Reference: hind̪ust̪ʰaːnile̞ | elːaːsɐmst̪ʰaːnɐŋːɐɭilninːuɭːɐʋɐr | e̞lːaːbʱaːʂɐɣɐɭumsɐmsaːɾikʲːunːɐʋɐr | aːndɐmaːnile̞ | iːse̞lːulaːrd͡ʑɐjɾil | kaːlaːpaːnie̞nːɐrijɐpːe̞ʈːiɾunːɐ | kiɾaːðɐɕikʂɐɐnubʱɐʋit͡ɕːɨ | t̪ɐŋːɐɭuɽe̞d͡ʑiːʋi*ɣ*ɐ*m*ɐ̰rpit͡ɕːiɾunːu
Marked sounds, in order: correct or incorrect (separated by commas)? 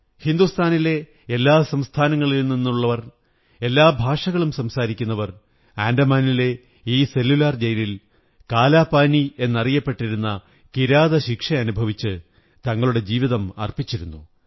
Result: incorrect, correct